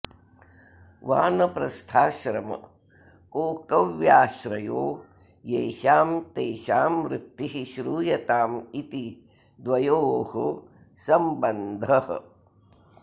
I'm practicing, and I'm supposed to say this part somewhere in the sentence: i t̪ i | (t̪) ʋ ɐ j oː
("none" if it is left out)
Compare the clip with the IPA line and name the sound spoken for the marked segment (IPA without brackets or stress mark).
d̪